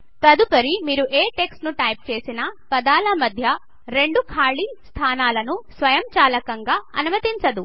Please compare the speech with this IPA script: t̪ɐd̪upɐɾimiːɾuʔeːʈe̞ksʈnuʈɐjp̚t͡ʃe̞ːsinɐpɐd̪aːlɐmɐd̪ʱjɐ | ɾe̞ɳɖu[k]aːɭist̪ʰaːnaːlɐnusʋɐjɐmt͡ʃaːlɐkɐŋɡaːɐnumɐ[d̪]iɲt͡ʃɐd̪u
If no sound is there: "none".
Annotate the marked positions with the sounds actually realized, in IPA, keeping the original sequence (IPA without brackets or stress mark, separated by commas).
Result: kʰ, t̪